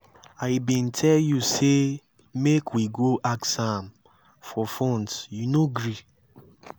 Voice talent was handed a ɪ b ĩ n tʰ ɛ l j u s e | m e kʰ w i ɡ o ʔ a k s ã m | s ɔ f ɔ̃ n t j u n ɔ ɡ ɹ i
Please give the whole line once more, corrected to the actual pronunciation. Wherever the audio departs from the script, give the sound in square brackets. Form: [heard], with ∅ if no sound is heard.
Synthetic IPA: a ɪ b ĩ n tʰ ɛ l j u s e | m e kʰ w i ɡ o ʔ a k s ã m | [f] ɔ f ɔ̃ n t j u n [o] ɡ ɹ i